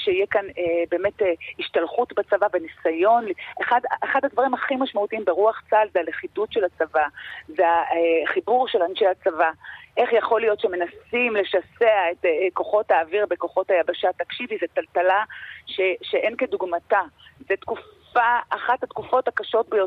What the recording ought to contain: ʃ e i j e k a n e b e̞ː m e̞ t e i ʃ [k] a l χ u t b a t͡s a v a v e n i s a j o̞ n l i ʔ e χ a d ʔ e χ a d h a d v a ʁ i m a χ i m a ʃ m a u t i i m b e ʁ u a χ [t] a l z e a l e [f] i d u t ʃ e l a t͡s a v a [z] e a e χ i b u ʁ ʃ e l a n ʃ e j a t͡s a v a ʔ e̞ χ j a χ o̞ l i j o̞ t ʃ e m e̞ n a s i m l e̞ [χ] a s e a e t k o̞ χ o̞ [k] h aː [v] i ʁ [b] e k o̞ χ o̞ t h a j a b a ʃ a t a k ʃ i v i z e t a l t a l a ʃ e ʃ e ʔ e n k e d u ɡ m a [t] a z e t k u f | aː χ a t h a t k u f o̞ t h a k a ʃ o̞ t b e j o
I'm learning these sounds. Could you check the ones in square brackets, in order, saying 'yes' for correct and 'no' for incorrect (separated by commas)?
no, no, no, yes, no, no, yes, yes, yes